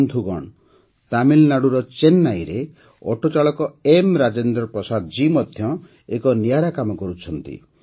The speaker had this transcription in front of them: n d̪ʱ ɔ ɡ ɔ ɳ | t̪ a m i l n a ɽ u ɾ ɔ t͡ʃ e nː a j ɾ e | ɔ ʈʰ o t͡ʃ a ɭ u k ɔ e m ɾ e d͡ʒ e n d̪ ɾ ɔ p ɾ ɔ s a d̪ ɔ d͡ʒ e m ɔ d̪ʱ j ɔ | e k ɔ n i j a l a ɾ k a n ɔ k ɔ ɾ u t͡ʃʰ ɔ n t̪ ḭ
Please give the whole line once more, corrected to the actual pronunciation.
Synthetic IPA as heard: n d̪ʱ u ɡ ɔ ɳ | t̪ a m i l n a ɽ u ɾ ɔ t͡ʃ e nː a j ɾ e | ɔ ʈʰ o t͡ʃ a ɭ ɔ k ɔ e m ɾ a d͡ʒ e n d̪ ɾ ɔ p ɾ ɔ s a d̪ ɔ d͡ʒ i m ɔ d̪ʱ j ɔ | e k ɔ n i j a ɾ a k a m ɔ k ɔ ɾ u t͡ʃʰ ɔ n t̪ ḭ